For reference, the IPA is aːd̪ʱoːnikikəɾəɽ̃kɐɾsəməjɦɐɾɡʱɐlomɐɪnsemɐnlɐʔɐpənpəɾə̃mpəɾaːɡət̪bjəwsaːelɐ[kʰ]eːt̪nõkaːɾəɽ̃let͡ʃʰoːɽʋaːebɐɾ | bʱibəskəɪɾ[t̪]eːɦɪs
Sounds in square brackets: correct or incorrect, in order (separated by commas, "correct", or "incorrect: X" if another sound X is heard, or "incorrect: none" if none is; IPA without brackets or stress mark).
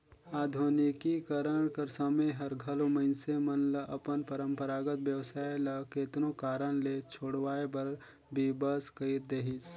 incorrect: k, incorrect: d̪